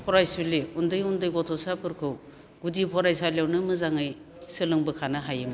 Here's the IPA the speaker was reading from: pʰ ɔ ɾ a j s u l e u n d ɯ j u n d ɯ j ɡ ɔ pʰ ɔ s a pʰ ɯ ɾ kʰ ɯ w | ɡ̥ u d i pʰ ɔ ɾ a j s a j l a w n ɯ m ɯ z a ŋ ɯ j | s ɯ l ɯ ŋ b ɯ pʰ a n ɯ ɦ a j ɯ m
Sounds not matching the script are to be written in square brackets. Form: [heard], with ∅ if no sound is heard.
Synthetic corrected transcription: pʰ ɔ ɾ a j s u l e u n d ɯ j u n d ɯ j ɡ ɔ [tʰ] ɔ s a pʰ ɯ ɾ kʰ ɯ w | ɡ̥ u d i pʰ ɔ ɾ a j s a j l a w n ɯ m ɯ z a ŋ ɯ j | s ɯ l ɯ ŋ b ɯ [kʰ] a n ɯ ɦ a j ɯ m

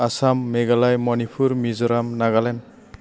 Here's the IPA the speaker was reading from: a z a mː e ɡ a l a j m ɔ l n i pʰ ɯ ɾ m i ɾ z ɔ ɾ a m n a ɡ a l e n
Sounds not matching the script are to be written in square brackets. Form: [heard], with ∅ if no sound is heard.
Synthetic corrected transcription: a [s] a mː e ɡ a l a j m ɔ [∅] n i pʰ [u] ɾ m i [∅] z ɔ ɾ a m n a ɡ a l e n

